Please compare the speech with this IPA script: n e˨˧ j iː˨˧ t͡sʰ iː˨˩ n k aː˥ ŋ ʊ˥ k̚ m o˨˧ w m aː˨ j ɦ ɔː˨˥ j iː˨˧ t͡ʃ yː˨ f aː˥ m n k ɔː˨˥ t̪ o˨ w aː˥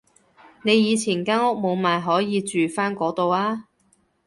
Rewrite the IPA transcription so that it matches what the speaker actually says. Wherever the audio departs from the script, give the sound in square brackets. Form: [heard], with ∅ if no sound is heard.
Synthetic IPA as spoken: n e˨˧ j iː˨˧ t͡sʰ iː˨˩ n k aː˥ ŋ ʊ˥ k̚ m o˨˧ w m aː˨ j ɦ ɔː˨˥ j iː˨˧ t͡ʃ yː˨ f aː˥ [∅] n k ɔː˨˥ t̪ o˨ w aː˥